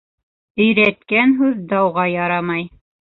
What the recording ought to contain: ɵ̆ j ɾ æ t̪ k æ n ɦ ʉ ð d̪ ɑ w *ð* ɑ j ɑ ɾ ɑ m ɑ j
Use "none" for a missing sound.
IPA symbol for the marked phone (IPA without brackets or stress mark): ʁ